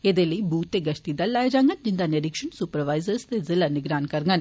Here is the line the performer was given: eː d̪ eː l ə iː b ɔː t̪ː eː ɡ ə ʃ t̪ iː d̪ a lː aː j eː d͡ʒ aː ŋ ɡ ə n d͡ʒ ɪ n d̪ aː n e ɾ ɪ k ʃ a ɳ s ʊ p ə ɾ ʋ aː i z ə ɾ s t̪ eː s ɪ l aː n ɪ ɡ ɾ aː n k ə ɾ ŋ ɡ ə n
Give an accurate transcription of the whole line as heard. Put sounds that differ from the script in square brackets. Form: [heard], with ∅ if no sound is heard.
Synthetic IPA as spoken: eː d̪ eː l ə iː b [uː] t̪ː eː ɡ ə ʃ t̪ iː d̪ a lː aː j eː d͡ʒ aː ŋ ɡ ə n d͡ʒ ɪ n d̪ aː n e ɾ ɪ k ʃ [ə] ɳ s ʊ p ə ɾ ʋ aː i z ə ɾ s t̪ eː [z] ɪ l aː n ɪ ɡ ɾ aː n k ə ɾ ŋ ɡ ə n